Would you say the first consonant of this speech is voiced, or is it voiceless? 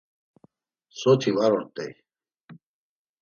voiceless